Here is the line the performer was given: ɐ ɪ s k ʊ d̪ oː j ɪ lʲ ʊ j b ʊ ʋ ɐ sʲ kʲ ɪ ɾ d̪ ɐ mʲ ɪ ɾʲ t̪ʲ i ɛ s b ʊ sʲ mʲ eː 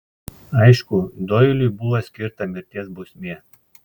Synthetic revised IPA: ɐ ɪ ʃ k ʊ d̪ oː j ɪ lʲ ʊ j b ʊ ʋ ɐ sʲ kʲ ɪ ɾ t̪ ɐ mʲ ɪ ɾʲ t̪ʲ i ɛ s b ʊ sʲ mʲ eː